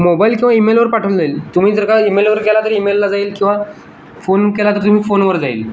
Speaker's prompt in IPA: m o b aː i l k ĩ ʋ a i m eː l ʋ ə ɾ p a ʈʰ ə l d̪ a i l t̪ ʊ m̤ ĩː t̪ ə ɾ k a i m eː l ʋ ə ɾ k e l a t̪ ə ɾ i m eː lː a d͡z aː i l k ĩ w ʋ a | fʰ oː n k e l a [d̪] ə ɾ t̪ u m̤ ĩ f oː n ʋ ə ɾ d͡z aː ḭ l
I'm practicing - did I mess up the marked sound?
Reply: yes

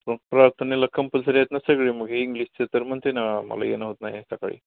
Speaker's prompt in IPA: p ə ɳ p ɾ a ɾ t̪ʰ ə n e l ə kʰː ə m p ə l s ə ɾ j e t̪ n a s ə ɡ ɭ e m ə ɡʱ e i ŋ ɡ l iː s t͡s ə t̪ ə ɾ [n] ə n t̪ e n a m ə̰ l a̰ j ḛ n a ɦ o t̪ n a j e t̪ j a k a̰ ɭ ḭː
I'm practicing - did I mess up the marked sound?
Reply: yes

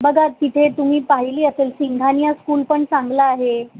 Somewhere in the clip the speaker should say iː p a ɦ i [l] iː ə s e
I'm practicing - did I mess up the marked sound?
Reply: no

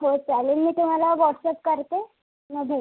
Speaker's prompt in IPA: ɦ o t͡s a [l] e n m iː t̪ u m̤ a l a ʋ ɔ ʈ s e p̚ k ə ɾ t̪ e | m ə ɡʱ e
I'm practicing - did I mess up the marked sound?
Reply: no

